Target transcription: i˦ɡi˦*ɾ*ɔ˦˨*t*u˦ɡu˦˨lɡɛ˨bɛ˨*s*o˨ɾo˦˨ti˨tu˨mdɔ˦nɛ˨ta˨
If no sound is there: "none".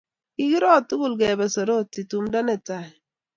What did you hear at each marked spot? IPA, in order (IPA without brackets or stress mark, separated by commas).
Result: ɾ, t, s